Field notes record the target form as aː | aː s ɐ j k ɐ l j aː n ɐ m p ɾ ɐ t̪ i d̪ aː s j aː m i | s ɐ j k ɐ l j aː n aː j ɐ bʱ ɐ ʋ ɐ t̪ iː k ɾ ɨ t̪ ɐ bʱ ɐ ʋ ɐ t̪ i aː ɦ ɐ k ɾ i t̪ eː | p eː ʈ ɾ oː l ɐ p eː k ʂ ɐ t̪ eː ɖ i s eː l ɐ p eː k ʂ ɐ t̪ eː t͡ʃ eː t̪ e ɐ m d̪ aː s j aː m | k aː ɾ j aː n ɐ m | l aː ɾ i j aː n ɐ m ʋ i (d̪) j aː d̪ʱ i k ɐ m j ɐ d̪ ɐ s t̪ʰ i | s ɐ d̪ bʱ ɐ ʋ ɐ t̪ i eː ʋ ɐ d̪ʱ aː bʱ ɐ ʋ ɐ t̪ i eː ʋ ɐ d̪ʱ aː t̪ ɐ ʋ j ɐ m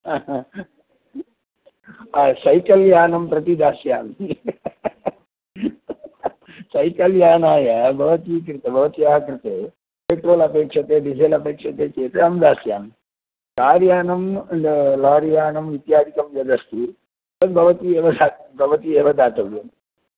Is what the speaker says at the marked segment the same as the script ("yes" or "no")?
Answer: no